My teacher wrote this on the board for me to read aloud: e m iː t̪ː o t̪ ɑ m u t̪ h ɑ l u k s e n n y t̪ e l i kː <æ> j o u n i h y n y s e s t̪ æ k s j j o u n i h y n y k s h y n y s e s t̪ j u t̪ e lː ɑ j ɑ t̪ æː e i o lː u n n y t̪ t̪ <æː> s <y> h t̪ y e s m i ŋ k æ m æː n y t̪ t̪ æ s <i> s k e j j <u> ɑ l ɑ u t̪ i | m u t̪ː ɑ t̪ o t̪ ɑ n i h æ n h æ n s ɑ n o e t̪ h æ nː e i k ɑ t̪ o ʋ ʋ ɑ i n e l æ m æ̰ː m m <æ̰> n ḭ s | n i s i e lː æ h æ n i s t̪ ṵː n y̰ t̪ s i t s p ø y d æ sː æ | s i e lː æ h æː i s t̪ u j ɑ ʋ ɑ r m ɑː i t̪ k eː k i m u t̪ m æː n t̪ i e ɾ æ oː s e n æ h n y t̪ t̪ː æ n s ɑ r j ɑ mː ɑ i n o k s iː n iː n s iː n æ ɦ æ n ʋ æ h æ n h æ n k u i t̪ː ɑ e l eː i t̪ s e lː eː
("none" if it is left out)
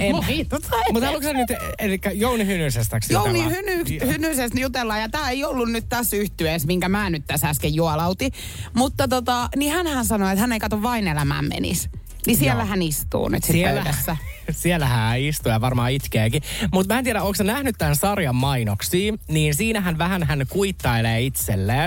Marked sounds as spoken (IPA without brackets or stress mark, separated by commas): æ, æ, y, æ, u, ḛ